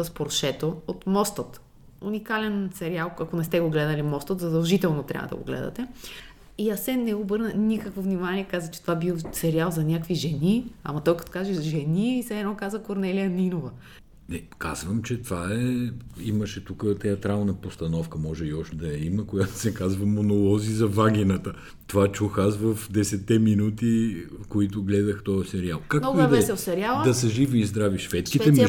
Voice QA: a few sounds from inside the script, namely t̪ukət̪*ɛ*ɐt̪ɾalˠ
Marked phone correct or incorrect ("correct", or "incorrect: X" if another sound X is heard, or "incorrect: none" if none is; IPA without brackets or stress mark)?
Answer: correct